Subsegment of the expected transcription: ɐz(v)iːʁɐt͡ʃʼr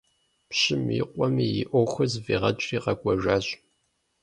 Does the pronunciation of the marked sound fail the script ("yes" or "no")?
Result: no